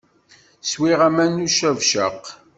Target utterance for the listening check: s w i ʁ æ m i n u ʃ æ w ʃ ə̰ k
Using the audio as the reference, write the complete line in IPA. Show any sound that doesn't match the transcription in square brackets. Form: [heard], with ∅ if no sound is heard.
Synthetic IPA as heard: s w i ʁ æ m [æ] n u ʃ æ [v] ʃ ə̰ [q]